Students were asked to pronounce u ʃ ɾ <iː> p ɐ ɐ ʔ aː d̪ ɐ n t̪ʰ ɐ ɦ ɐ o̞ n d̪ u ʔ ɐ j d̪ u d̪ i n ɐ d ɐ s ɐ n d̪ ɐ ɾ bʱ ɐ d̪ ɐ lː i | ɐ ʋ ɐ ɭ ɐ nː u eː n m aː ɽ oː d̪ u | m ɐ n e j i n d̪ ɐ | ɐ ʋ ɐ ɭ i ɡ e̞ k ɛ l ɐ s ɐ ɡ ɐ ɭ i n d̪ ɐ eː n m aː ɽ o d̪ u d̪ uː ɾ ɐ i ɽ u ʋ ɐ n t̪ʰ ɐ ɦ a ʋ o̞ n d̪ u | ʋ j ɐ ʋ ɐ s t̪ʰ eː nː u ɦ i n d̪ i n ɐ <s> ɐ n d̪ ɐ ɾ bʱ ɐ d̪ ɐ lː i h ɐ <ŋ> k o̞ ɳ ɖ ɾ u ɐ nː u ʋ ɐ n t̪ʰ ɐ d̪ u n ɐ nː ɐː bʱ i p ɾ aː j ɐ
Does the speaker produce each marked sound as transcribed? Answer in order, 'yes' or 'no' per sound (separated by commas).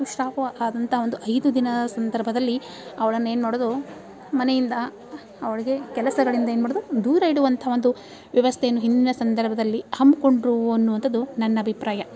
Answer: no, yes, no